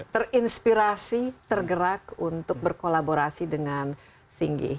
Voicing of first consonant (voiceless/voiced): voiceless